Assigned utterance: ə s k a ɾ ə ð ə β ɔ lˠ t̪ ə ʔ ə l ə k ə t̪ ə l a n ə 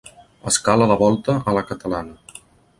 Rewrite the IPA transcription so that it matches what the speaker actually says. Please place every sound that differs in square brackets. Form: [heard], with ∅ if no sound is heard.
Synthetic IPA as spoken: ə s k a [l] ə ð ə β ɔ lˠ t̪ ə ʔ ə l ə k ə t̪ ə l a n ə